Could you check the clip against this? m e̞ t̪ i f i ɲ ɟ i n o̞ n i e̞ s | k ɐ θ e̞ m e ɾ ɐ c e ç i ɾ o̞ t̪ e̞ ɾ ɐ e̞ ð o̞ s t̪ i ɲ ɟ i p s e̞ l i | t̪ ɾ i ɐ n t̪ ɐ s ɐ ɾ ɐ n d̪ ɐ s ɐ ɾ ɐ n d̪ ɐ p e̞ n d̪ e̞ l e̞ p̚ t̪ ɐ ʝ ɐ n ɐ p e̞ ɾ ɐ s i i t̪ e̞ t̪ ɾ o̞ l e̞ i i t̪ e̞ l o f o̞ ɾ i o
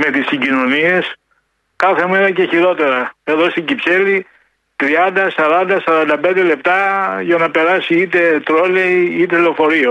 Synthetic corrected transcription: m e̞ t̪ i s i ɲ ɟ i n o̞ n i e̞ s | k ɐ θ e̞ m e ɾ ɐ c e ç i ɾ o̞ t̪ e̞ ɾ ɐ e̞ ð o̞ s t̪ i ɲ ɟ i p s e̞ l i | t̪ ɾ i ɐ n d̪ ɐ s ɐ ɾ ɐ n d̪ ɐ s ɐ ɾ ɐ n d̪ ɐ p e̞ n d̪ e̞ l e̞ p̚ t̪ ɐ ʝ ɐ n ɐ p e̞ ɾ ɐ s i i t̪ e̞ t̪ ɾ o̞ l e̞ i i t̪ e̞ l o f o̞ ɾ i o